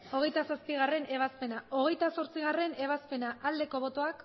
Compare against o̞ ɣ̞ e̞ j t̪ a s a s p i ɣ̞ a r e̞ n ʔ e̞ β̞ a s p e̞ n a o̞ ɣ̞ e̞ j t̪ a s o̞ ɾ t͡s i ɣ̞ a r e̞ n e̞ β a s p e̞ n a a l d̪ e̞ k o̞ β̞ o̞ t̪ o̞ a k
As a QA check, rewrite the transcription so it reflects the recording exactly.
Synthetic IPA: o̞ ɣ̞ e̞ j t̪ a s a s p i ɣ̞ a r e̞ n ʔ e̞ β̞ a s p e̞ n a o̞ ɣ̞ e̞ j t̪ a s o̞ ɾ t͡s i ɣ̞ a r e̞ n e̞ β a s p e̞ n a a l d̪ e̞ k o̞ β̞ o̞ t̪ o̞ a k